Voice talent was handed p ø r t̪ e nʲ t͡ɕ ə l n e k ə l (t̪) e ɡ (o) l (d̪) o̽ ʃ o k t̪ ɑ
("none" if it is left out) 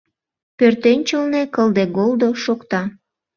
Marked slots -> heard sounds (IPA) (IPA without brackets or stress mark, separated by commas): d̪, o, d̪